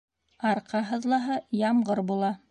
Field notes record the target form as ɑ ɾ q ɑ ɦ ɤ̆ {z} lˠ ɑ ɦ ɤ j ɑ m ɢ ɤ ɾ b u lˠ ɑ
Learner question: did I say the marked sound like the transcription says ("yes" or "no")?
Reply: no